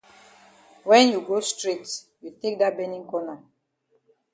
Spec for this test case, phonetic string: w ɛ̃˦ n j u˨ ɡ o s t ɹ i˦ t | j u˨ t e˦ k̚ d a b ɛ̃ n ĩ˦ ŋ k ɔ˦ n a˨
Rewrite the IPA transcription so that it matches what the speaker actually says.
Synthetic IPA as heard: w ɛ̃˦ n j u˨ ɡ o s t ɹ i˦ t | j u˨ t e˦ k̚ d a b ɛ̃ n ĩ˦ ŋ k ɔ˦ n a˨